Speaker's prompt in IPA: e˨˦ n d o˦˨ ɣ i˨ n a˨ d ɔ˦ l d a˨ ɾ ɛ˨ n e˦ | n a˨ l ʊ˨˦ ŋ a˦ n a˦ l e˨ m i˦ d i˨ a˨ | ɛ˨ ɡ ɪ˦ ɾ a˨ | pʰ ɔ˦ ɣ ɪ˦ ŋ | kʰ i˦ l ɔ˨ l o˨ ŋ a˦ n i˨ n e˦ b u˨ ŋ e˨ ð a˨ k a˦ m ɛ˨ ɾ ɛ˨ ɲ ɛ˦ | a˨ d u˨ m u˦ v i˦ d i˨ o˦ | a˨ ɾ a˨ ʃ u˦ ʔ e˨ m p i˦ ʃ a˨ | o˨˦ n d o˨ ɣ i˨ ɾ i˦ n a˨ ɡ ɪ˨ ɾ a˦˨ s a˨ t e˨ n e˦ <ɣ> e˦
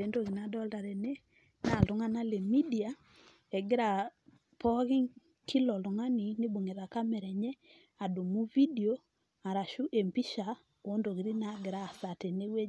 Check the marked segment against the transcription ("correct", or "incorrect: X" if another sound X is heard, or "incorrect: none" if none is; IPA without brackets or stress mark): incorrect: w